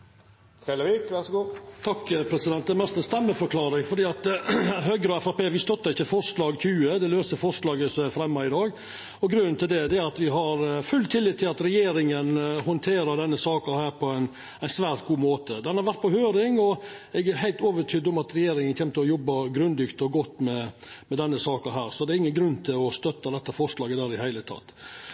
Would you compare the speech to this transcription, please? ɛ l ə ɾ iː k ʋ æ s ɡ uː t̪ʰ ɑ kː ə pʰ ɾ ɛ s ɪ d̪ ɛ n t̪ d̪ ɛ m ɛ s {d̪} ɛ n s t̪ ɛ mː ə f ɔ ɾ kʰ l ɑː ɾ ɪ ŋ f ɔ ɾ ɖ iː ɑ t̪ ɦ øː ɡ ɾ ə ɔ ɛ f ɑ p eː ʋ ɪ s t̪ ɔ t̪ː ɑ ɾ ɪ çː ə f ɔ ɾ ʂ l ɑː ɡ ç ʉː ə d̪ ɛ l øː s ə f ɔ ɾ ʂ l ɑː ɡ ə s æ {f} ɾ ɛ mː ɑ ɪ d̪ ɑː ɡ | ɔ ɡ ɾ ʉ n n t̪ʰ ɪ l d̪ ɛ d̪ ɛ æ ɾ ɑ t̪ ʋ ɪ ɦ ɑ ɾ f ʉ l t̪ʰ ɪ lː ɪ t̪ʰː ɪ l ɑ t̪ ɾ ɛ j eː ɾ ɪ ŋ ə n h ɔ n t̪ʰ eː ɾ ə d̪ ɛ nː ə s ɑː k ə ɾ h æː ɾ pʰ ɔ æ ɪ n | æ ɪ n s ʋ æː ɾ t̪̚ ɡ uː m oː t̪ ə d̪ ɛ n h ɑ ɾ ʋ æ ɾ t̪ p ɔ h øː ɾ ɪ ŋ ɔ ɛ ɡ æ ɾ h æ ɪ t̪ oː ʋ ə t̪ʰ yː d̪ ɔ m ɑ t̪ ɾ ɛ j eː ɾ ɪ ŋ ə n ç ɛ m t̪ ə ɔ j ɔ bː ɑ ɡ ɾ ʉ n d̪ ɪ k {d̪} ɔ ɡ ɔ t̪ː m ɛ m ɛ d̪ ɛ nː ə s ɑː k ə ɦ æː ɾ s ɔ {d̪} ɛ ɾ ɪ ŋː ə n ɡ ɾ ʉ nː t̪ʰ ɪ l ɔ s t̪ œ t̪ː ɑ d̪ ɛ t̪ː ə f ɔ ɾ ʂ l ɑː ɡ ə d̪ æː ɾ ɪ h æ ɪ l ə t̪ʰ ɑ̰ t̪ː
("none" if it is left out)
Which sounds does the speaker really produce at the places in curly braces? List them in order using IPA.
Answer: t̪, f, t̪, d̪

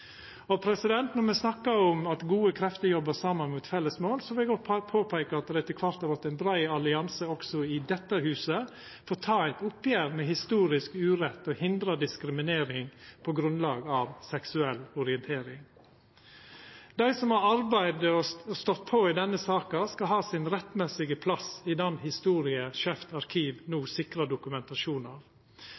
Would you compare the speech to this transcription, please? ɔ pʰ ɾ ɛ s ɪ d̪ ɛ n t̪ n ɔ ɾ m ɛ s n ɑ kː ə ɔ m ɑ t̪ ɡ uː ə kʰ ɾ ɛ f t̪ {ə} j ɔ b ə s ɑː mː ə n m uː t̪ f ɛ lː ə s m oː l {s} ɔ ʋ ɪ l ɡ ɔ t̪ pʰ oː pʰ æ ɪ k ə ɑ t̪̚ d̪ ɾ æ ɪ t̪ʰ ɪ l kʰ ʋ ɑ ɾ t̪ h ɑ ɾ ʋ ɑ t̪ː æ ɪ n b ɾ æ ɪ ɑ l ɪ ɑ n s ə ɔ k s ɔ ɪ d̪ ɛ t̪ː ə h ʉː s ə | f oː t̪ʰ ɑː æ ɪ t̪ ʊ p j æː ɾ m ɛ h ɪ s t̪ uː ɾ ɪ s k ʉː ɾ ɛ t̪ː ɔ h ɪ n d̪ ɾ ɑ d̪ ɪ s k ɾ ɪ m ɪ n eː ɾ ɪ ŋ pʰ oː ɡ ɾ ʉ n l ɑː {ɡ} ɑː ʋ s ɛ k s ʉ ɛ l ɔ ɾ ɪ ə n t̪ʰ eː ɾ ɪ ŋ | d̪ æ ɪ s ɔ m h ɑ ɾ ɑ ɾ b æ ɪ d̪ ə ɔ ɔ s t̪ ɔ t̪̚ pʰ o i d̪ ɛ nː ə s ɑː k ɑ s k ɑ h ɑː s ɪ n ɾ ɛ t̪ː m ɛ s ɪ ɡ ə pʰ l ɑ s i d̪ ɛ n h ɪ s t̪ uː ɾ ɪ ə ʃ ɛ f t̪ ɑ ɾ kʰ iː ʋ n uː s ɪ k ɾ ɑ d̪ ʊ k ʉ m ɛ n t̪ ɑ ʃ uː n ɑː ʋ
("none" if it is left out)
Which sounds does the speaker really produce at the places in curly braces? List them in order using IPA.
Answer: ə, s, ɡ

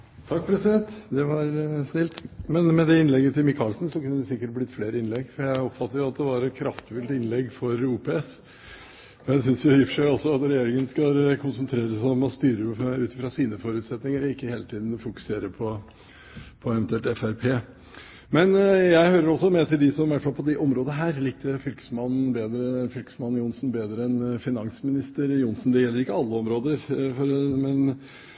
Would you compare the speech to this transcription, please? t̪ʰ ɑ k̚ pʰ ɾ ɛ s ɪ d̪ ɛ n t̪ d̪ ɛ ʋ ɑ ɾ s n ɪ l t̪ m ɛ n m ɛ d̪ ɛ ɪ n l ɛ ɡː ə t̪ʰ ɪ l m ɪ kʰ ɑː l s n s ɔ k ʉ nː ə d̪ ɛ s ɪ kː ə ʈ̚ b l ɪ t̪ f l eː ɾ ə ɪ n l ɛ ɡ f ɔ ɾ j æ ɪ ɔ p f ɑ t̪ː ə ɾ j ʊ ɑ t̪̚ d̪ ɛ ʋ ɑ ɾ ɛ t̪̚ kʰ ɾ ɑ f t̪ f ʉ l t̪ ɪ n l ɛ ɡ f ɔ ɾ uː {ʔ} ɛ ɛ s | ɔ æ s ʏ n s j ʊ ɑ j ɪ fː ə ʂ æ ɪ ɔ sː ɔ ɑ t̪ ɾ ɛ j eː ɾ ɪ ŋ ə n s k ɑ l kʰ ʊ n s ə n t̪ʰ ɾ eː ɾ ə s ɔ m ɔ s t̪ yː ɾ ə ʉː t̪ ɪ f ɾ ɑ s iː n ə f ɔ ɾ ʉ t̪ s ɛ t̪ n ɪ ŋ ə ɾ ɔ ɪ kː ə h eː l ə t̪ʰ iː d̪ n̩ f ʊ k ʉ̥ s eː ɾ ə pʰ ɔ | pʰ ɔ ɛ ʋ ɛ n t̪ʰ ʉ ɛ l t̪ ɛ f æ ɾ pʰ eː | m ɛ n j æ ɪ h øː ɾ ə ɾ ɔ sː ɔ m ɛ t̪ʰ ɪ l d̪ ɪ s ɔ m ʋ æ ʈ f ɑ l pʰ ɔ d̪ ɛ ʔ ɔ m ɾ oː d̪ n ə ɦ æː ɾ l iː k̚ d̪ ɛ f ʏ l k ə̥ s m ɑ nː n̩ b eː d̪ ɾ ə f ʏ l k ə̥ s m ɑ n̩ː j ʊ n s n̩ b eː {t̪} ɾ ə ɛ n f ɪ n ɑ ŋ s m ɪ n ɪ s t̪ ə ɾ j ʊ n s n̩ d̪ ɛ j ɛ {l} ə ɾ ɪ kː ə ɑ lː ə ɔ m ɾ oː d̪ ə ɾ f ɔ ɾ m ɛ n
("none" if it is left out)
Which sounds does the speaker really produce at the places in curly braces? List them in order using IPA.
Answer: p, d̪, lː

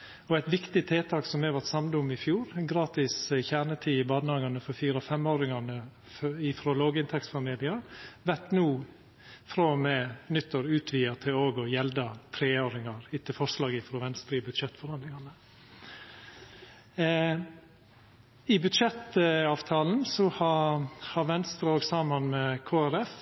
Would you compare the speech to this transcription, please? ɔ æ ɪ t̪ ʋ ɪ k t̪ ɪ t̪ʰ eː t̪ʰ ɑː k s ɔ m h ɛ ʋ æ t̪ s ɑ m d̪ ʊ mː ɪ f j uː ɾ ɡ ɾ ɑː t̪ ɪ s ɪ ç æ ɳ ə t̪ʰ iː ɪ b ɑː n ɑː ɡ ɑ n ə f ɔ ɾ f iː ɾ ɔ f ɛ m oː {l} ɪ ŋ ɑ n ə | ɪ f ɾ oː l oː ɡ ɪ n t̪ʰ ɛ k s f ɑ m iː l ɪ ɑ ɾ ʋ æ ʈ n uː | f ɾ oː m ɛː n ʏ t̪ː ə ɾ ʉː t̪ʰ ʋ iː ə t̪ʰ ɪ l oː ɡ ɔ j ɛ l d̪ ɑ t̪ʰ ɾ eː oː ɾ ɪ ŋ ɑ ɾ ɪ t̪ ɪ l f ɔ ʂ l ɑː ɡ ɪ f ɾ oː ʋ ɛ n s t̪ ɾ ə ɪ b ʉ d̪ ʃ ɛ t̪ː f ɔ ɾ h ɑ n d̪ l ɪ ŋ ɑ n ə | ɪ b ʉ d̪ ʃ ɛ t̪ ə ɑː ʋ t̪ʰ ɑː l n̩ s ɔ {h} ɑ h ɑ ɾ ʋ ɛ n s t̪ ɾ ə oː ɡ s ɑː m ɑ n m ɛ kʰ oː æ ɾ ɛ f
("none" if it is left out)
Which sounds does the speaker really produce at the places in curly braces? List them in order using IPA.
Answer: ɾ, h

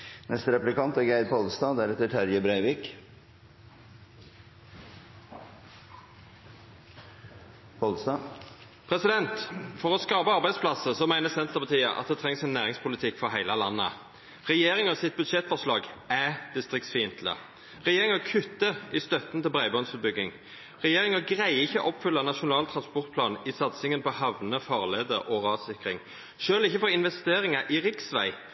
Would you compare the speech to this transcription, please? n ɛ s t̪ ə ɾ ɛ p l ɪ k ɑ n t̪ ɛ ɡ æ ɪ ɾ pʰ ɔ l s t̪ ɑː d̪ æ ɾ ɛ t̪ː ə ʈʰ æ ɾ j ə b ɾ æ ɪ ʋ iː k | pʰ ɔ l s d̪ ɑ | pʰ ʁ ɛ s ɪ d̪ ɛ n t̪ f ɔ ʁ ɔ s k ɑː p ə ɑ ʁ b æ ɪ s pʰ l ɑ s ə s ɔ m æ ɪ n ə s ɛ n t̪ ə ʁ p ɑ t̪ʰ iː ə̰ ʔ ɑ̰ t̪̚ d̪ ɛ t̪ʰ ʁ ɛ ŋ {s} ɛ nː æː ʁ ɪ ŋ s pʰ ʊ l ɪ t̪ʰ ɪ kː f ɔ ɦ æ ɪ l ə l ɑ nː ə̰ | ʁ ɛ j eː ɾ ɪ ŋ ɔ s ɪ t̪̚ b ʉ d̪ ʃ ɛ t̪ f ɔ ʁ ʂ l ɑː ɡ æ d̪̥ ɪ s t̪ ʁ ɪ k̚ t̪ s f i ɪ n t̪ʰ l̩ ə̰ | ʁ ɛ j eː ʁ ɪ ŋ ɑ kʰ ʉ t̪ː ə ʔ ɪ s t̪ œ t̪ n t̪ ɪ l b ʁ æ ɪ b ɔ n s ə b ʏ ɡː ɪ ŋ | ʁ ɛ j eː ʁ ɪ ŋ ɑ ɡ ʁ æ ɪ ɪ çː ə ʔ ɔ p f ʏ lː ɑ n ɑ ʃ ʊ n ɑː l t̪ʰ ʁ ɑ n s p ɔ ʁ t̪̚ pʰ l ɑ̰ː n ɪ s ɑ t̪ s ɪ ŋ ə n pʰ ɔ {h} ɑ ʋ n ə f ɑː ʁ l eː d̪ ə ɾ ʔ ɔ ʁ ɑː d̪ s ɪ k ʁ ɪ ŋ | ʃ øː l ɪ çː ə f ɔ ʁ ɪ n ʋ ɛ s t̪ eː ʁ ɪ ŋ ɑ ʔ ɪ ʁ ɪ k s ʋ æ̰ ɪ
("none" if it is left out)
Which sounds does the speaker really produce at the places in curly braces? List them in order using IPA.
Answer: s, h

